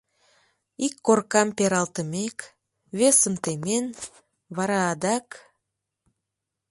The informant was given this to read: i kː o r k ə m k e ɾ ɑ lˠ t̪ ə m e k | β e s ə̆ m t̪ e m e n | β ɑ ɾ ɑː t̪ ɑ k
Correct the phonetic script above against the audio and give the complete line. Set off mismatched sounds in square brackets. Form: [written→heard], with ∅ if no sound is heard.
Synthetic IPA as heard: i kː o r k [ə→ɑ] m [k→p] e ɾ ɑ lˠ t̪ ə m e k | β e s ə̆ m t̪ e m e n | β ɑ ɾ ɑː [t̪→d̪] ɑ k

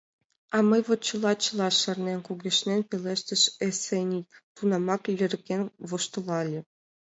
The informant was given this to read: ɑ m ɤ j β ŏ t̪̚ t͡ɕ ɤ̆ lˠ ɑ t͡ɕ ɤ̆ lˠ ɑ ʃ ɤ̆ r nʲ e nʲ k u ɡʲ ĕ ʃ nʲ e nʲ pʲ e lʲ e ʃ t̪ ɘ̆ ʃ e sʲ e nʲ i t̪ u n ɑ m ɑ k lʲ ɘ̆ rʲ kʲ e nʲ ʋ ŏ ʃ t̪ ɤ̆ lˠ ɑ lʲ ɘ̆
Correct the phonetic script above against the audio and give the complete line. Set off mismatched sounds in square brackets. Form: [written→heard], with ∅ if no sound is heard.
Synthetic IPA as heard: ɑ m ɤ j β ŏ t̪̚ t͡ɕ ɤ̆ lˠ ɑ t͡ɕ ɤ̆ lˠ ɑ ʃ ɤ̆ r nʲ e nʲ k u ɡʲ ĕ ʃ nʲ e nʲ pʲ e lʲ e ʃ t̪ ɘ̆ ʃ e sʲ e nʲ i t̪ u n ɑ m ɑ k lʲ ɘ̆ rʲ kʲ e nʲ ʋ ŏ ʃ t̪ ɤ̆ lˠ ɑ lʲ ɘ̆

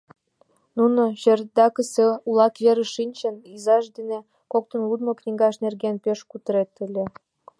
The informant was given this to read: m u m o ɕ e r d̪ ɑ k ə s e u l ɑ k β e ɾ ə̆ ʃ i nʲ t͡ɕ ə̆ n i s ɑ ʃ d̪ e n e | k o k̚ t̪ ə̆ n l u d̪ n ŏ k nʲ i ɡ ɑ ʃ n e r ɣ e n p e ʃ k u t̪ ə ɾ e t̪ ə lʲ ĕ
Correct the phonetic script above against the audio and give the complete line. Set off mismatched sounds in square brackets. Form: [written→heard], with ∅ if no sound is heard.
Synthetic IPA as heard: [m→n] u [m→n] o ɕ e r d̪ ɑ k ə s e u l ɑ k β e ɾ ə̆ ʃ i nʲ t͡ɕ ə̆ n i [s→z] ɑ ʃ d̪ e n e | k o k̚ t̪ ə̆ n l u d̪ [n→m] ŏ k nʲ i ɡ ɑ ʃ n e r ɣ e n p e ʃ k u t̪ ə ɾ e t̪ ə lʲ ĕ

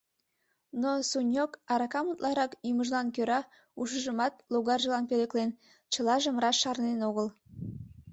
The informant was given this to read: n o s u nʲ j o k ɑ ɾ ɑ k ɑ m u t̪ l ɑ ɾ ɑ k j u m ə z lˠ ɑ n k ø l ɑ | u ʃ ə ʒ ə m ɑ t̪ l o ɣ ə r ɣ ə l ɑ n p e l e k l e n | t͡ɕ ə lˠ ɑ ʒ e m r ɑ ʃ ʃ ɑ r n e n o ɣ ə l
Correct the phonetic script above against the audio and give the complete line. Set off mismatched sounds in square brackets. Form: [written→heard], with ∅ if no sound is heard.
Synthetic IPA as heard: n o s u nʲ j o k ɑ ɾ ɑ k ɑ m u t̪ l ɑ ɾ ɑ k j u m ə [z→ʒ] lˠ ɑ n k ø [l→ɾ] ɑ | u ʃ ə ʒ ə m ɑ t̪ l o ɣ [ə→ɑ] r [ɣ→ʒ] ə l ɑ n p e l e k l e n | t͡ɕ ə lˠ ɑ ʒ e m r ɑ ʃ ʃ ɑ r n e n o ɣ ə l

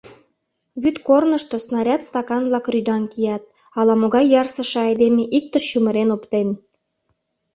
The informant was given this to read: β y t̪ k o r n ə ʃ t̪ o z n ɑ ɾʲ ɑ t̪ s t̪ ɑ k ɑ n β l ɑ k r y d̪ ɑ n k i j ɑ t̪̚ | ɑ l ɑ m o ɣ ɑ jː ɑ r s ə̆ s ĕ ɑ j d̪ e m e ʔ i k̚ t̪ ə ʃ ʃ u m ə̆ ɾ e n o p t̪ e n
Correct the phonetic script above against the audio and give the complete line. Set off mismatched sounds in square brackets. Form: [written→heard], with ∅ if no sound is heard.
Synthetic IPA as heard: β y t̪ k o r n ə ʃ t̪ o [z→s] n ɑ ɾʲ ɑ t̪ s t̪ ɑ k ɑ n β l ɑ k r y d̪ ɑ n k i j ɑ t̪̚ | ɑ l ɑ m o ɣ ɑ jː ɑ r s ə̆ [s→ʃ] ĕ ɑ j d̪ e m e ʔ i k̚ t̪ ə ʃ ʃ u m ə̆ ɾ e n o p t̪ e n

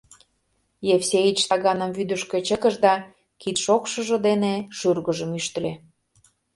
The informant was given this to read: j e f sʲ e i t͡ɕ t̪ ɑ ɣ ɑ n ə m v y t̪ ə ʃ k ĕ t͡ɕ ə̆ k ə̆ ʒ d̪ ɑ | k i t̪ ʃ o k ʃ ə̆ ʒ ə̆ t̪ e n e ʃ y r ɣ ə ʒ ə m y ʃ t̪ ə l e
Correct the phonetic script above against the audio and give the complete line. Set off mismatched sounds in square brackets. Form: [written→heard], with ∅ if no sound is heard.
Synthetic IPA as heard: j e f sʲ e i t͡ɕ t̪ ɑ ɣ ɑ n ə m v y [t̪→d̪] ə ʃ k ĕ t͡ɕ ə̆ k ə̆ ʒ d̪ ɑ | k i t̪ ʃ o k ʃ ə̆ ʒ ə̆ [t̪→d̪] e n e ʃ y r ɣ ə ʒ ə m y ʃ t̪ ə l e

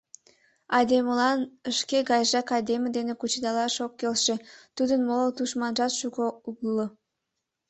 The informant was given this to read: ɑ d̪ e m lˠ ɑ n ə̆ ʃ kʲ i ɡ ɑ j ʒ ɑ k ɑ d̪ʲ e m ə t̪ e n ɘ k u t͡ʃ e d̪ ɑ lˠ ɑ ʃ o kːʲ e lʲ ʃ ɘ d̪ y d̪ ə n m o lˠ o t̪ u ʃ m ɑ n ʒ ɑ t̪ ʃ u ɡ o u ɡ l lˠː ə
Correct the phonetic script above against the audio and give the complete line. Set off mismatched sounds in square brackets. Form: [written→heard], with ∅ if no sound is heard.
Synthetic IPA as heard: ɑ d̪ e m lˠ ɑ n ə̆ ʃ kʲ [i→e] ɡ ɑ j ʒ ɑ k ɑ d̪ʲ e m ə [t̪→d̪] e n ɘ k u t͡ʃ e d̪ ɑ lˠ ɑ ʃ o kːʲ e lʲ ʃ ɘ [d̪→t̪] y d̪ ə n m o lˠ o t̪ u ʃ m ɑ n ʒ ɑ t̪ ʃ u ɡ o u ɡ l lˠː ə

